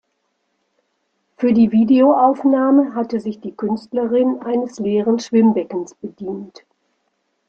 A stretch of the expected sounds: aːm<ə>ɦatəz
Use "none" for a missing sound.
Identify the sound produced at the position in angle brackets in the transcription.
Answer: ə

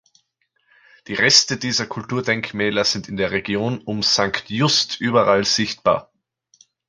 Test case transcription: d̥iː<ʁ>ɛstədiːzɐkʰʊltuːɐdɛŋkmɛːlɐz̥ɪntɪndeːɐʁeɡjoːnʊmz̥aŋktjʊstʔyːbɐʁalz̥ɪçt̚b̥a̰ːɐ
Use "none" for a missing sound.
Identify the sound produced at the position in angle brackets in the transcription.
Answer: ʁ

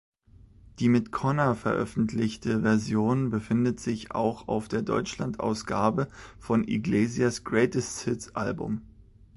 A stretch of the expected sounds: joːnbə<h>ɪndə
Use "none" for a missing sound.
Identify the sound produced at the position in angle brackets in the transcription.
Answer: f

